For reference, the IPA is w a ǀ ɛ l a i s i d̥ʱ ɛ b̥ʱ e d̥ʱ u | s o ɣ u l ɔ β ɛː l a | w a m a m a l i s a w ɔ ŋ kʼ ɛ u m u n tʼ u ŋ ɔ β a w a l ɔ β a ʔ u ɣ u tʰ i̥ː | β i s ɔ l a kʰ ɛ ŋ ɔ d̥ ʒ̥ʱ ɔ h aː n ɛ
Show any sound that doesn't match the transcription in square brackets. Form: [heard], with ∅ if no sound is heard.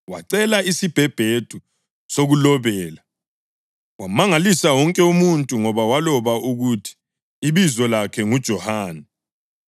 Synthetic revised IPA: w a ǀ ɛ l a i s i [b̥ʱ] ɛ b̥ʱ e d̥ʱ u | s o ɣ u l ɔ β ɛː l a | w a m a [ŋ] a l i s a w ɔ ŋ kʼ ɛ u m u n tʼ u ŋ ɔ β a w a l ɔ β a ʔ u ɣ u tʰ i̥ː | β i [z] ɔ l a kʰ ɛ ŋ [u] d̥ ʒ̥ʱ ɔ h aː n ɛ